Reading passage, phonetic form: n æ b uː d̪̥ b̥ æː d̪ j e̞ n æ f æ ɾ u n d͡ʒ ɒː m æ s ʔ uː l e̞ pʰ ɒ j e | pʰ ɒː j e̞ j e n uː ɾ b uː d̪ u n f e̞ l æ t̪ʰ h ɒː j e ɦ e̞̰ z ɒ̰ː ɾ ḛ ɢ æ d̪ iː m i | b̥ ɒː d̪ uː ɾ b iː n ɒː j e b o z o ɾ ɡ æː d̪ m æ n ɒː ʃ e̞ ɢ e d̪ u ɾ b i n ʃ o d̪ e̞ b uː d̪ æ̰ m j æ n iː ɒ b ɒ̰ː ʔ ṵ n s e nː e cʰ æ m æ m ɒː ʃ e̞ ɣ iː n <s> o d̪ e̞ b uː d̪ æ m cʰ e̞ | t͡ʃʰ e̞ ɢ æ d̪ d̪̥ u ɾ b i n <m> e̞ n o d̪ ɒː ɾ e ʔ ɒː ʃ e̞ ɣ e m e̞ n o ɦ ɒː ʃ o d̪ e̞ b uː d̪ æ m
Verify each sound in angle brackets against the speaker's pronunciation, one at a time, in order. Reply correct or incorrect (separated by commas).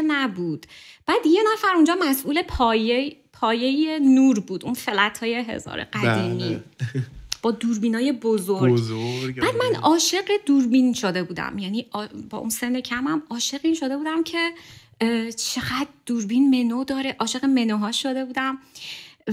incorrect, correct